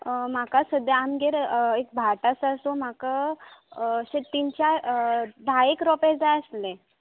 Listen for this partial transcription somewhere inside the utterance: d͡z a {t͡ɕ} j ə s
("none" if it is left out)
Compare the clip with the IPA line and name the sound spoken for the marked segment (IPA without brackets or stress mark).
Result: none